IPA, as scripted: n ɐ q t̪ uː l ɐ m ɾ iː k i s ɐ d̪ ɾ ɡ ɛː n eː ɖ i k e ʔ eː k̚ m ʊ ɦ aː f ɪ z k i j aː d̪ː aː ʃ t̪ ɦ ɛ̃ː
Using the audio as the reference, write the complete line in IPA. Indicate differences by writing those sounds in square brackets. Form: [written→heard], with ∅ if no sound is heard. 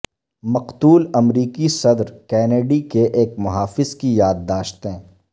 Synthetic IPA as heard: [n→m] ɐ q t̪ uː l ɐ m ɾ iː k i s ɐ d̪ ɾ [ɡ→k] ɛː n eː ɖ i k e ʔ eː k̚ m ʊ ɦ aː f ɪ z k i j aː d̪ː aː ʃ t̪ ɦ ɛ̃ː